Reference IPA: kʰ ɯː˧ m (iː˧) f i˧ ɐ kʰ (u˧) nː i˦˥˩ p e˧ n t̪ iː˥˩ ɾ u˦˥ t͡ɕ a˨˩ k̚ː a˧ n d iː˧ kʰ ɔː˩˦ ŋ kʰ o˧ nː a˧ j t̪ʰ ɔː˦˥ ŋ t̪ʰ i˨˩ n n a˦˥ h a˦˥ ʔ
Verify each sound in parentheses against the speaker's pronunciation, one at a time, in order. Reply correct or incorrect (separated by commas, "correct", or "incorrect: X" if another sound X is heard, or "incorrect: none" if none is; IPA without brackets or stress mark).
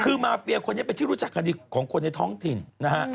incorrect: aː˧, incorrect: o˧